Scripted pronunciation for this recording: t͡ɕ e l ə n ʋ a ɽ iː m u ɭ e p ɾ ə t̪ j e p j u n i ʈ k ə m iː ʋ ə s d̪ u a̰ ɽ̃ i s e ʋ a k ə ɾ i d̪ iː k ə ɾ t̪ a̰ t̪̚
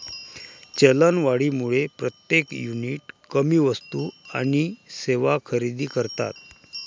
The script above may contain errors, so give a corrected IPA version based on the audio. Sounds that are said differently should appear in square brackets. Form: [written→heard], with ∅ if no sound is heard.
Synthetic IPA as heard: t͡ɕ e l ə n ʋ a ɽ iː m u ɭ e p ɾ ə t̪ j e [p→k] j u n i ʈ k ə m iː ʋ ə s [d̪→t̪] u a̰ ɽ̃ i s e ʋ a [k→kʰ] ə ɾ i d̪ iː k ə ɾ t̪ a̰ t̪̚